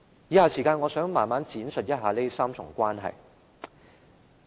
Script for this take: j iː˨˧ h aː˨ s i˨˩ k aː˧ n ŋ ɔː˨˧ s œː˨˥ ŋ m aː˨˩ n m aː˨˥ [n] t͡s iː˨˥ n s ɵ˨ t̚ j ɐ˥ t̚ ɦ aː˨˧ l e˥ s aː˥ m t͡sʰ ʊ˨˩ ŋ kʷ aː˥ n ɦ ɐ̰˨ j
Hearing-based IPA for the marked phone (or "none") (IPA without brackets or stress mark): n